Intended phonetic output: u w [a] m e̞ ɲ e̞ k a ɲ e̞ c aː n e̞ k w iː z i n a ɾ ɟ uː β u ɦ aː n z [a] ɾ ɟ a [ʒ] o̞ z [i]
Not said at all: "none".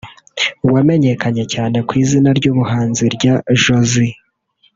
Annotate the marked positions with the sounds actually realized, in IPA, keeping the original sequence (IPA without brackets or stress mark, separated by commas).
a, i, ʒ, i